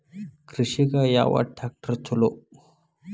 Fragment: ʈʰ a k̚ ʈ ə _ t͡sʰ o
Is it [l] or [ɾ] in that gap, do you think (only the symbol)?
ɾ